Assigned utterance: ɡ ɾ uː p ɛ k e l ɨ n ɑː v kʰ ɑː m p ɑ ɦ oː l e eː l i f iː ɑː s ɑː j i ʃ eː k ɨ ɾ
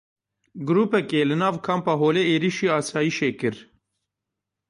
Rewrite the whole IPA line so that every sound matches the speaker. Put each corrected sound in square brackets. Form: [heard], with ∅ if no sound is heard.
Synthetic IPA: ɡ ɾ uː p ɛ k e l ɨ n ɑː v kʰ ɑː m p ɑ ɦ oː l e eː [ɾ] i [ʃ] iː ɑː s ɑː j i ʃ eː k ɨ ɾ

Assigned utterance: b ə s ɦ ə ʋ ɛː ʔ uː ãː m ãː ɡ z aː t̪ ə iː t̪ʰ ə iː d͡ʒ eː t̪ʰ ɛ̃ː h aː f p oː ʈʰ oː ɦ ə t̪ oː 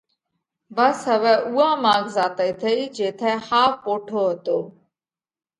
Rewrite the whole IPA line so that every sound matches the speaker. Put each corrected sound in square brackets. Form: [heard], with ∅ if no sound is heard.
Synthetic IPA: b ə s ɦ ə ʋ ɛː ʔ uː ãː m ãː ɡ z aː t̪ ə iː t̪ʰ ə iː d͡ʒ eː t̪ʰ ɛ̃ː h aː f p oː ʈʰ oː ɦ ə t̪ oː

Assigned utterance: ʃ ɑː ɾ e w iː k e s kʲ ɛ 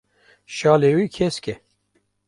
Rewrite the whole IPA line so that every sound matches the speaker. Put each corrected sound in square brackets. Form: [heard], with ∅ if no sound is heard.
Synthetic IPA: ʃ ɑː [l] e w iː [kʰ] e s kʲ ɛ

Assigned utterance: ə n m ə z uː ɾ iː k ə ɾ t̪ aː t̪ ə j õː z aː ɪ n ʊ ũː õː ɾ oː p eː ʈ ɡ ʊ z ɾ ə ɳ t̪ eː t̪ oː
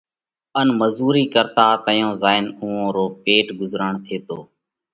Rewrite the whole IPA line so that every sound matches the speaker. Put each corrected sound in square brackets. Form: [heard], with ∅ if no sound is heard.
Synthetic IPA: ə n m ə z uː ɾ iː k ə ɾ t̪ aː t̪ ə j õː z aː ɪ n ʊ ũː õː ɾ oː p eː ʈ ɡ ʊ z ɾ ə ɳ [t̪ʰ] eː t̪ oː

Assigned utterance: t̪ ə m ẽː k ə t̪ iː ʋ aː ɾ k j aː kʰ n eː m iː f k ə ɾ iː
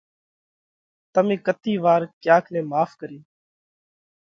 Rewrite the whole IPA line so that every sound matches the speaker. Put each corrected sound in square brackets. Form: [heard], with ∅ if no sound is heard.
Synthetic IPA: t̪ ə m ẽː k ə t̪ iː ʋ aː ɾ k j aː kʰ n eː m [aː] f k ə ɾ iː

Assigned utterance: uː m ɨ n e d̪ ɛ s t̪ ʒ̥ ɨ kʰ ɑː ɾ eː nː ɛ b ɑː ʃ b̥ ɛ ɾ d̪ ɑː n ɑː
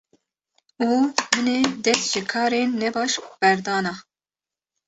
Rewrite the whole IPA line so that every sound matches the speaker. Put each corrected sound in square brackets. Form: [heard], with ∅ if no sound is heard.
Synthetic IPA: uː m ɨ n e d̪ ɛ s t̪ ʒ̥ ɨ kʰ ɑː ɾ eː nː ɛ b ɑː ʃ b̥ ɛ ɾ d̪ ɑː n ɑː

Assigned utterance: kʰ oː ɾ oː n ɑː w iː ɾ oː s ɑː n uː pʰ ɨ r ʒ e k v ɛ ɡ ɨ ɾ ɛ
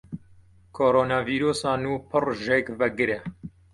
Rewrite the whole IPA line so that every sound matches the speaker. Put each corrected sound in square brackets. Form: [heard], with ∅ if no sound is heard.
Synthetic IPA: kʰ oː ɾ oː n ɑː [v] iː ɾ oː s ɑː n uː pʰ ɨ r ʒ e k v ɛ ɡ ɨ ɾ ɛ

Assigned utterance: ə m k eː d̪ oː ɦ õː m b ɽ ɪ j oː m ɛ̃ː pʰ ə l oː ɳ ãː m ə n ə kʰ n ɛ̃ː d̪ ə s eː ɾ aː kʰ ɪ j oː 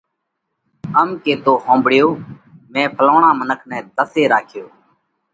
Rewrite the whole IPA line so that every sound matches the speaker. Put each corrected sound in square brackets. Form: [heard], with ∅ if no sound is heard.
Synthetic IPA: ə m k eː [t̪] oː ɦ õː m b ɽ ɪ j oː m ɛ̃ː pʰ ə l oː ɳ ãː m ə n ə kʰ n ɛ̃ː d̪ ə s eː ɾ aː kʰ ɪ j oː

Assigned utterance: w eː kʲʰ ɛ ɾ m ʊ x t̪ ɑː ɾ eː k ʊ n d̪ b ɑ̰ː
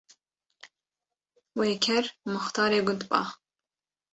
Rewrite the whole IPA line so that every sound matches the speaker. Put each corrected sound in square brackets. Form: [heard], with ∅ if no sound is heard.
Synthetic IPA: w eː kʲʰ ɛ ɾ m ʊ x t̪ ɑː ɾ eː [ɡ] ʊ n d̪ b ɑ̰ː

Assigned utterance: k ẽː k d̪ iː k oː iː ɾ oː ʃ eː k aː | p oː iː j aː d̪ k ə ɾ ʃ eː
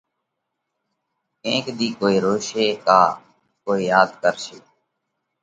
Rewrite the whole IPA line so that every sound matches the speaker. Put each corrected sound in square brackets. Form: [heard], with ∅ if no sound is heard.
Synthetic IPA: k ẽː k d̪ iː k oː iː ɾ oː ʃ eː k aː | [k] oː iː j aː d̪ k ə ɾ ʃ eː

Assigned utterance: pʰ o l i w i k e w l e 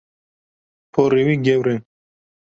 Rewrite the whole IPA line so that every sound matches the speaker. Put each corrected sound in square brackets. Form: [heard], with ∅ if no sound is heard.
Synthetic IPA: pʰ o [ɾ] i w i [ɡ] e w [ɾ] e

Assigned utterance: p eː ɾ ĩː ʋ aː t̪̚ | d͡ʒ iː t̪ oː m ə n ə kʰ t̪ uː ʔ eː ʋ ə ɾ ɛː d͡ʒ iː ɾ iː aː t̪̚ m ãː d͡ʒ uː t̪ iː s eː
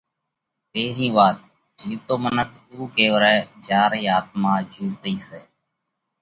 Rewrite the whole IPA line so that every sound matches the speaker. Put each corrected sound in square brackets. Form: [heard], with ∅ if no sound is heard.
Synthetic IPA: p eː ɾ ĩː ʋ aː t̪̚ | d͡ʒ iː t̪ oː m ə n ə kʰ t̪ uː [k] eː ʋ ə ɾ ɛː d͡ʒ [aː] ɾ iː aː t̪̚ m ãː d͡ʒ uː t̪ iː s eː

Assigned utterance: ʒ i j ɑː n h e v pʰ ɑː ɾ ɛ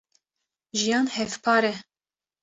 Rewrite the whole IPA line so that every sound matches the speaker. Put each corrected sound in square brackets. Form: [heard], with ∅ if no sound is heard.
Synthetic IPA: ʒ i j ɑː n h [ɛ] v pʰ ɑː ɾ ɛ

